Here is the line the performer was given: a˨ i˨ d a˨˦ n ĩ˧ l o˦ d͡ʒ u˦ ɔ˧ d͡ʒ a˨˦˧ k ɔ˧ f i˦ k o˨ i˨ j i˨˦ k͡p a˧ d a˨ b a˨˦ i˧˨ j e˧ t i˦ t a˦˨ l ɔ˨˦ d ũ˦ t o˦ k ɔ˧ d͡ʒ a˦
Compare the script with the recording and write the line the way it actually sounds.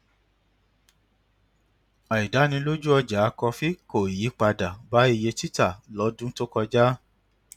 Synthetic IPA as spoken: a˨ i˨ d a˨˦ n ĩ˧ l o˦ d͡ʒ u˦ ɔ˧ d͡ʒ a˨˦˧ k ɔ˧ f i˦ k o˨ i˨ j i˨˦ k͡p a˧ d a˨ b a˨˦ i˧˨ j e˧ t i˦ t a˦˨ l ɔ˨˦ d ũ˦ t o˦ k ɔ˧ d͡ʒ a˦